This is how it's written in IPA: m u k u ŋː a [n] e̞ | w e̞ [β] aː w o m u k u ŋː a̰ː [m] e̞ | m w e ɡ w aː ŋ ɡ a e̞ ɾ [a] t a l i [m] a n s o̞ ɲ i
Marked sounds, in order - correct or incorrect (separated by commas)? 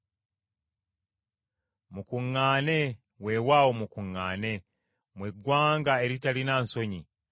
correct, incorrect, incorrect, incorrect, incorrect